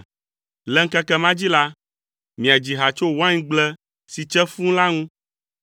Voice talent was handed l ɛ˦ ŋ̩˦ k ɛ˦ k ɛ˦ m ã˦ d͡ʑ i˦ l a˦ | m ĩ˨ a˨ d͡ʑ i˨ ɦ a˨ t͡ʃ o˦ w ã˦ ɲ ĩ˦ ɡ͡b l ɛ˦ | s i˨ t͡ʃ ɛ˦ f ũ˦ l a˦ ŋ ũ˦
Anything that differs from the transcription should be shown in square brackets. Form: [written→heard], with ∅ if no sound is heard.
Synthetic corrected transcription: l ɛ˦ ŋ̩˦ k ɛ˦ k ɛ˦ m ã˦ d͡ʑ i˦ l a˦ | m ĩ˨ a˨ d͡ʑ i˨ ɦ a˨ t͡ʃ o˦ w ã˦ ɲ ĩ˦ ɡ͡b l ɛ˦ | s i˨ t͡ʃ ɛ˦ f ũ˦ l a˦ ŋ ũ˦